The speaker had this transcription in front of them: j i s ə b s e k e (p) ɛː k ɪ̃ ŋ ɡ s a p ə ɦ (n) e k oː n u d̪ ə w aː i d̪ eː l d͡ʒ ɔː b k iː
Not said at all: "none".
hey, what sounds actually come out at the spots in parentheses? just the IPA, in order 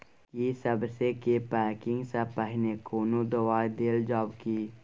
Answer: p, n

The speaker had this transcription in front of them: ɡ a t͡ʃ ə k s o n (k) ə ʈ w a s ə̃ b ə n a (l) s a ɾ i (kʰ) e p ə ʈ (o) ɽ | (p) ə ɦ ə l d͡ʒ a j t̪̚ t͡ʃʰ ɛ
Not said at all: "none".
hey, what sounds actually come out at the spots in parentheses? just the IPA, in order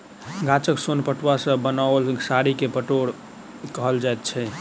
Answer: p, l, k, o, k

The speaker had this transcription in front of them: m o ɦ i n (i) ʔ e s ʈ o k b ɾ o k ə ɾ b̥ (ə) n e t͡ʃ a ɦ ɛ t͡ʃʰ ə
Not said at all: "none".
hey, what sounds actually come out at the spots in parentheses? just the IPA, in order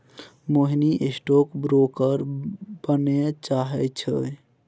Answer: i, ə

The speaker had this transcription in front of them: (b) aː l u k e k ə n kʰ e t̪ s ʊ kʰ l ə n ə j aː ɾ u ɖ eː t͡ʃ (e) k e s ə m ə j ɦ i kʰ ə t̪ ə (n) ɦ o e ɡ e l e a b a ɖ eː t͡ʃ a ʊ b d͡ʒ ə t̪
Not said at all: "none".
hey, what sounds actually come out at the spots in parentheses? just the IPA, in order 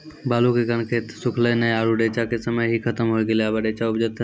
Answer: b, a, m

